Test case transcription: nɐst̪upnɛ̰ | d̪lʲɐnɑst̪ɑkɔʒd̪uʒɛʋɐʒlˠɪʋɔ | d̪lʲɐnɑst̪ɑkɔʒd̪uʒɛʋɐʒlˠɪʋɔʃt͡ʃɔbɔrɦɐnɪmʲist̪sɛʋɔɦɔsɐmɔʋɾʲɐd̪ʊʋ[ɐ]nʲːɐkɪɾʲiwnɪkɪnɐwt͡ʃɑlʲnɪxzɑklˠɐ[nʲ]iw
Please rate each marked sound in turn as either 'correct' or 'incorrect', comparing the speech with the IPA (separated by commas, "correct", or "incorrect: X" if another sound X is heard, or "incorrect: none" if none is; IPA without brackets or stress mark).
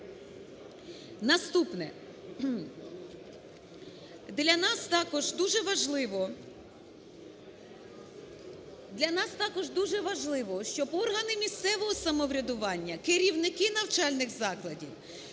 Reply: incorrect: ɑ, incorrect: dʲ